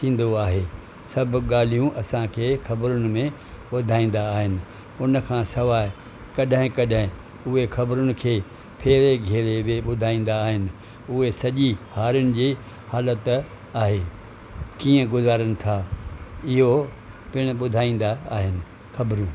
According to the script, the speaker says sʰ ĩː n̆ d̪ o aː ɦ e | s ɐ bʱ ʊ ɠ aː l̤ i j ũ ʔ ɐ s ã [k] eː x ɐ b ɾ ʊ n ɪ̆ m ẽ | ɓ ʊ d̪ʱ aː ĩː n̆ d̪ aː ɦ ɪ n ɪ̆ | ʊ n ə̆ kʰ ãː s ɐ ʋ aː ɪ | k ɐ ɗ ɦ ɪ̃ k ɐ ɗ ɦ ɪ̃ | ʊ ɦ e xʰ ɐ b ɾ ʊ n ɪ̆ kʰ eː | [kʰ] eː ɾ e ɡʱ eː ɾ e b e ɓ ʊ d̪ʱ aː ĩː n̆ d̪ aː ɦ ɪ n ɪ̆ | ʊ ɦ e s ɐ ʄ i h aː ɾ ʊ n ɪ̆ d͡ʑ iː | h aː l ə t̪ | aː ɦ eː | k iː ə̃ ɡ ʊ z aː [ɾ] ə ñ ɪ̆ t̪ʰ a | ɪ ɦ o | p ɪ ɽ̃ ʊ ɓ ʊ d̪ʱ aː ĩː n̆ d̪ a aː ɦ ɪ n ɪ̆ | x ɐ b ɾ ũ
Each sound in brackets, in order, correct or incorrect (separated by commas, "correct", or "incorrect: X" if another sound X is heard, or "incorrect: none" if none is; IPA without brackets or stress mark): incorrect: kʰ, incorrect: pʰ, correct